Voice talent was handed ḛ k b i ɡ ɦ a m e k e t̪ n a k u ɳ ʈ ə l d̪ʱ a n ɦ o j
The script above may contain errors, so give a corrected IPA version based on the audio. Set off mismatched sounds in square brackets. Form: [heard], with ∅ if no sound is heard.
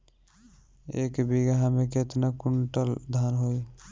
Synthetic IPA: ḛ k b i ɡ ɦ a m e k e t̪ n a k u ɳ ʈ ə l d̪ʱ a n ɦ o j